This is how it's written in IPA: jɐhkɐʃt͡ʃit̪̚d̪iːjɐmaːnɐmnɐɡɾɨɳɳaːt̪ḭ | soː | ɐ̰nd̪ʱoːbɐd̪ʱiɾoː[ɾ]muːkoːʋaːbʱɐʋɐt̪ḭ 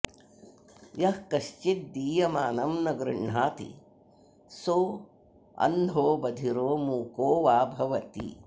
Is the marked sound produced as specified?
no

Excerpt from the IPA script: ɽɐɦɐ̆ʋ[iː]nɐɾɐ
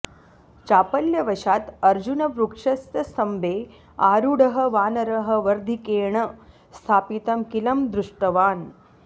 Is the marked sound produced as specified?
no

